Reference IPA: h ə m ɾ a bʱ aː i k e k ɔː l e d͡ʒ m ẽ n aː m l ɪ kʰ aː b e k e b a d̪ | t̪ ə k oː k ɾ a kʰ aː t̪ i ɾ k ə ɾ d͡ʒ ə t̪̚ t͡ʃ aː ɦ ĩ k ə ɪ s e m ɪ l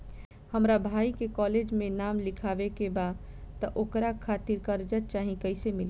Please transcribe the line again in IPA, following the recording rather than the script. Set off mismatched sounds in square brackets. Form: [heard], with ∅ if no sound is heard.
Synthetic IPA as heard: h ə m ɾ a bʱ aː i k e k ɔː l e d͡ʒ m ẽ n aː m l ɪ kʰ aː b e k e b a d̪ | t̪ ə [ʔ] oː k ɾ a kʰ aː t̪ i ɾ k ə ɾ d͡ʒ ə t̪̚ t͡ʃ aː ɦ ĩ k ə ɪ s e m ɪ l